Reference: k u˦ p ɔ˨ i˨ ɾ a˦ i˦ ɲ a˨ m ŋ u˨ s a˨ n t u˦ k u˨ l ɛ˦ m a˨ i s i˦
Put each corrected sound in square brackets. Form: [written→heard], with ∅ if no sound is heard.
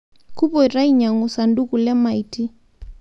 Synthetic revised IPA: k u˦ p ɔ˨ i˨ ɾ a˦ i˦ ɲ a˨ [m→∅] ŋ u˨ s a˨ n [t→d] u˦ k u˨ l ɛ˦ m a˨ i [s→t] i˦